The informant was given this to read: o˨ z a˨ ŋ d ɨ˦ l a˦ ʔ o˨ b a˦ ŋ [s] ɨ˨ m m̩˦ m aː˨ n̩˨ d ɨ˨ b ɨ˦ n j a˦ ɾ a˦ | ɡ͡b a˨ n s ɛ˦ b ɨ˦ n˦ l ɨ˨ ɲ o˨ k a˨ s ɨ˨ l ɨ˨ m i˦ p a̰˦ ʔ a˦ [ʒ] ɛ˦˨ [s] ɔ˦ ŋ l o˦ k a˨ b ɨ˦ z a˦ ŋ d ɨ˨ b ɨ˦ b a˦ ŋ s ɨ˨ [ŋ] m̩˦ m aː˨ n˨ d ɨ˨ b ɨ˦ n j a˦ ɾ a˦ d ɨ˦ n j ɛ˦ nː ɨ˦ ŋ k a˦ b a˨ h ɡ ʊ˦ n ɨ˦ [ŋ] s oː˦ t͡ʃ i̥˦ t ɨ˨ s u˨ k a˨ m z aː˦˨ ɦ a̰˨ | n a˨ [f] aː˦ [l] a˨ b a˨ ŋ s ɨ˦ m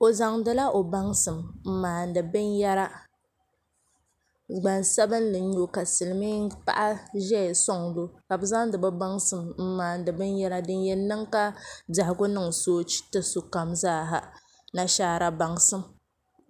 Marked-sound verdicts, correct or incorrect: correct, correct, correct, incorrect, correct, incorrect, incorrect

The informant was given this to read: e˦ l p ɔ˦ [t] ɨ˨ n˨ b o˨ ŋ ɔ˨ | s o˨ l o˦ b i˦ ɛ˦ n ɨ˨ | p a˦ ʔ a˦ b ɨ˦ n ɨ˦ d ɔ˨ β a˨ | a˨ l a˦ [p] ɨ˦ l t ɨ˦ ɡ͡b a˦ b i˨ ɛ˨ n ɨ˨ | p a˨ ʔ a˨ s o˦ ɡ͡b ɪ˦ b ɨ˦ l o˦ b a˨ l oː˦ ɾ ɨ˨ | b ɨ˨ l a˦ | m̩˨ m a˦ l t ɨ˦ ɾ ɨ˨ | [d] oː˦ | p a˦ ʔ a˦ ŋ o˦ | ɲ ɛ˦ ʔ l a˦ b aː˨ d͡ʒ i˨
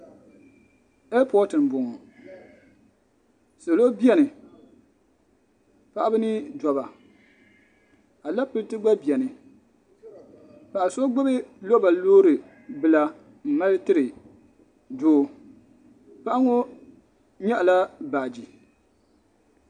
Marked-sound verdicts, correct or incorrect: correct, correct, correct

